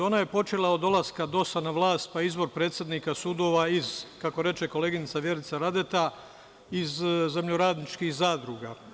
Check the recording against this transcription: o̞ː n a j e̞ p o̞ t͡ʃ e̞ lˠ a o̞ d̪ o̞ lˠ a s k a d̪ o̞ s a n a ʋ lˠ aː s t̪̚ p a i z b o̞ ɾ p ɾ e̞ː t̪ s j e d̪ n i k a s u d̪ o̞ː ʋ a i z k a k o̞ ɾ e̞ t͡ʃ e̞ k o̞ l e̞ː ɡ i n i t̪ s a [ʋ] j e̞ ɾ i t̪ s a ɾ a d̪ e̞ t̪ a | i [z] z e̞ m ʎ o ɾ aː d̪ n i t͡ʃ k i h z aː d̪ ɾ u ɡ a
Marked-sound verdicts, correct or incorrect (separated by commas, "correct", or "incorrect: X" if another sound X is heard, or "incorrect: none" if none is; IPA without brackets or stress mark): correct, correct